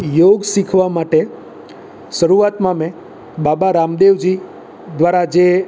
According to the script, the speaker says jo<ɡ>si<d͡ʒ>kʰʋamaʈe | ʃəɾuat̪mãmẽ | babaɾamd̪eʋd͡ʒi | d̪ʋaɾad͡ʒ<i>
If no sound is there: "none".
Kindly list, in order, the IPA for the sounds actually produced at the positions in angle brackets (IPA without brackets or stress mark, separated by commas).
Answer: ɡ, none, e